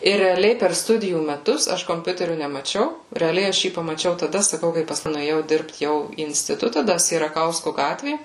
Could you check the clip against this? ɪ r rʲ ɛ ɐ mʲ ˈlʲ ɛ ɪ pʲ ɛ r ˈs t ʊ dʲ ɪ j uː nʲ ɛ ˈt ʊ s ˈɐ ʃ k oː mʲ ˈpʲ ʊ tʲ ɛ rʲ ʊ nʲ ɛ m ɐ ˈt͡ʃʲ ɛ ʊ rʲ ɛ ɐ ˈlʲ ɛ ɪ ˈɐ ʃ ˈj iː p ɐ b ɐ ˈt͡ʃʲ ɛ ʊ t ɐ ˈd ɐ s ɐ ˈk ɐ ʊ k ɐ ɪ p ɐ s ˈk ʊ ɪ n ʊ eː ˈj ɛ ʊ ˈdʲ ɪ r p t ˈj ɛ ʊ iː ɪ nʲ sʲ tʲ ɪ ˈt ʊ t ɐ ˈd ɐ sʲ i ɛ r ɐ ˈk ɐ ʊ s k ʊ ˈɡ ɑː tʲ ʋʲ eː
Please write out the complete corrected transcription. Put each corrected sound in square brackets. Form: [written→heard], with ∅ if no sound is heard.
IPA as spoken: ɪ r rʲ ɛ ɐ [mʲ→∅] ˈlʲ ɛ ɪ pʲ ɛ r ˈs t ʊ dʲ ɪ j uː [nʲ→mʲ] ɛ ˈt ʊ s ˈɐ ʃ k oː mʲ ˈpʲ ʊ tʲ ɛ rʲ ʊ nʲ ɛ m ɐ ˈt͡ʃʲ ɛ ʊ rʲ ɛ ɐ ˈlʲ ɛ ɪ ˈɐ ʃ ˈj iː p ɐ [b→m] ɐ ˈt͡ʃʲ ɛ ʊ t ɐ ˈd ɐ s ɐ ˈk ɐ ʊ k ɐ ɪ p ɐ s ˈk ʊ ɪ n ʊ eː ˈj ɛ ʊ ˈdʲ ɪ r p t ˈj ɛ ʊ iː ɪ nʲ sʲ tʲ ɪ ˈt ʊ t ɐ ˈd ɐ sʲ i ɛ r ɐ ˈk ɐ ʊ s k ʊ ˈɡ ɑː tʲ ʋʲ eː

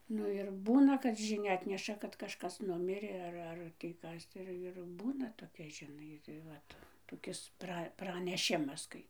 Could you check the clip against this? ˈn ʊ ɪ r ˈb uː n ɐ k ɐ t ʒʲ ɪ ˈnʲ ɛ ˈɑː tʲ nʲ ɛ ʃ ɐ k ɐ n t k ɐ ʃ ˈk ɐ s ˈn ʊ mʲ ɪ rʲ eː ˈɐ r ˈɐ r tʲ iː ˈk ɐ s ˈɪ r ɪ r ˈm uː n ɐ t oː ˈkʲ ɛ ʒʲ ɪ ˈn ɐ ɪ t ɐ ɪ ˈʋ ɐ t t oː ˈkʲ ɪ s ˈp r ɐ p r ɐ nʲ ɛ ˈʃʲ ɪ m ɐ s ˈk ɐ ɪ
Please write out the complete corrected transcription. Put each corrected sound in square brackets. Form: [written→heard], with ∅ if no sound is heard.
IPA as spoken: ˈn ʊ ɪ r ˈb uː n ɐ k ɐ t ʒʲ ɪ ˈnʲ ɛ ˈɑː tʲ nʲ ɛ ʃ ɐ k ɐ [n→∅] t k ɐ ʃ ˈk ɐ s ˈn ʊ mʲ ɪ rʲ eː ˈɐ r ˈɐ r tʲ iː ˈk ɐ s ˈɪ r ɪ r [ˈm→ˈb] uː n ɐ t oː ˈkʲ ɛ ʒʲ ɪ ˈn ɐ ɪ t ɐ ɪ ˈʋ ɐ t t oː ˈkʲ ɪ s ˈp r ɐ p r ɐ nʲ ɛ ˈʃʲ ɪ m ɐ s ˈk ɐ ɪ

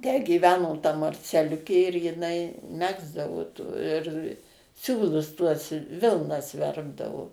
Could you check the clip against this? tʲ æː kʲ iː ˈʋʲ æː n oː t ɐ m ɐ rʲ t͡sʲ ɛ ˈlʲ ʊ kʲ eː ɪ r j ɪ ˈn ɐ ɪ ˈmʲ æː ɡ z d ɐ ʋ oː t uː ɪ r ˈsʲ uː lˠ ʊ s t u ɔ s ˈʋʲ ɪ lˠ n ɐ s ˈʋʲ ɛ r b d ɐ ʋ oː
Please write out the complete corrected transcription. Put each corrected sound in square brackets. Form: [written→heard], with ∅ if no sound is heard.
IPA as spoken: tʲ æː [kʲ→ɡʲ] iː ˈʋʲ æː n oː t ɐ m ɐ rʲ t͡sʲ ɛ ˈlʲ ʊ kʲ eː ɪ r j ɪ ˈn ɐ ɪ ˈmʲ æː ɡ z d ɐ ʋ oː t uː ɪ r ˈsʲ uː lˠ ʊ s t u ɔ s ˈʋʲ ɪ lˠ n ɐ s ˈʋʲ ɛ r b d ɐ ʋ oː

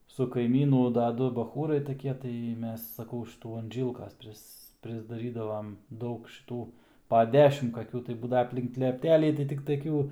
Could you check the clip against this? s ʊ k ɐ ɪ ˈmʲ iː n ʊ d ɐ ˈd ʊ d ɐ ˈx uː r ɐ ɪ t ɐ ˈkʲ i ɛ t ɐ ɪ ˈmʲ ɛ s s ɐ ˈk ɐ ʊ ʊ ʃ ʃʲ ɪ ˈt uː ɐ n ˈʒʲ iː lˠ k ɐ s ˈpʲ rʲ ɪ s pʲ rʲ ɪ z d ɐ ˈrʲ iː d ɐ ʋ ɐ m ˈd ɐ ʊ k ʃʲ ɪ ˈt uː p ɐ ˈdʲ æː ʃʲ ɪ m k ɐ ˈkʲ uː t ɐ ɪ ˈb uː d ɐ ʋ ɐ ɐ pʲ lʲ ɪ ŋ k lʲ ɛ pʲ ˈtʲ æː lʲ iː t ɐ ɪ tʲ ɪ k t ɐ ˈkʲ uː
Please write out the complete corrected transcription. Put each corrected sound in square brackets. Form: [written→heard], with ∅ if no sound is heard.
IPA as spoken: s ʊ k ɐ ɪ ˈmʲ iː n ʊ d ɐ ˈd ʊ [d→b] ɐ ˈx uː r ɐ ɪ t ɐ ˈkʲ i ɛ t ɐ ɪ ˈmʲ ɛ s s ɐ ˈk ɐ ʊ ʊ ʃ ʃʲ ɪ ˈt uː ɐ n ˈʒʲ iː lˠ k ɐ s ˈpʲ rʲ ɪ s pʲ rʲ ɪ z d ɐ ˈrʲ iː d ɐ ʋ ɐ m ˈd ɐ ʊ k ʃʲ ɪ ˈt uː p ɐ ˈdʲ æː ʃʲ ɪ m k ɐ ˈkʲ uː t ɐ ɪ ˈb uː d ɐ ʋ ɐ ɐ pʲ lʲ ɪ ŋ k lʲ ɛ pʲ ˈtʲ æː lʲ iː t ɐ ɪ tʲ ɪ k t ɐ ˈkʲ uː

